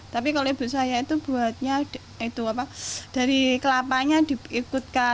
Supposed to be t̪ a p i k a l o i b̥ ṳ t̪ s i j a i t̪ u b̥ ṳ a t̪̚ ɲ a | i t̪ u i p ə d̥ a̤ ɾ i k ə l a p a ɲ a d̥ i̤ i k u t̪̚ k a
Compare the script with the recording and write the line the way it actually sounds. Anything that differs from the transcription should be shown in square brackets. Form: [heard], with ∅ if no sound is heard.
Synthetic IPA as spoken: t̪ a p i k a l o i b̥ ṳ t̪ s [a] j a i t̪ u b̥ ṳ a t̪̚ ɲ a | i t̪ u [a] p [a] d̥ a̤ ɾ i k ə l a p a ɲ a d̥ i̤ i k u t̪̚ k a